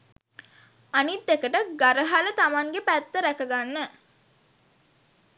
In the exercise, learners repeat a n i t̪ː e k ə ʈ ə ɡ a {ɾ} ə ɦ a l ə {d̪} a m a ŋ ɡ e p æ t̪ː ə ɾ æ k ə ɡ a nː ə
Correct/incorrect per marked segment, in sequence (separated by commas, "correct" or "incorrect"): correct, incorrect